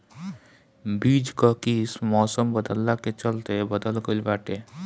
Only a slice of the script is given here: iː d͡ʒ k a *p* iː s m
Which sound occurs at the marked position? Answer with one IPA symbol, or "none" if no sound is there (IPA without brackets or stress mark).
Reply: k